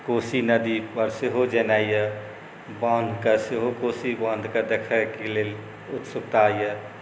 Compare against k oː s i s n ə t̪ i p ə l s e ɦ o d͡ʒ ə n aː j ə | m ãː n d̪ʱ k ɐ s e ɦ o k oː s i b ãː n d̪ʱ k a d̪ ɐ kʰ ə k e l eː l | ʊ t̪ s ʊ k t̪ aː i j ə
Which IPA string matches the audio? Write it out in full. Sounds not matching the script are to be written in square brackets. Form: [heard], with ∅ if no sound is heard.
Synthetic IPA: k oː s i [∅] n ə [d̪] i p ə [ɾ] s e ɦ o d͡ʒ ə n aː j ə | [b] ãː n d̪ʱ k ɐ s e ɦ o k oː s i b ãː n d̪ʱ k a d̪ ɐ kʰ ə k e l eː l | ʊ t̪ s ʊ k t̪ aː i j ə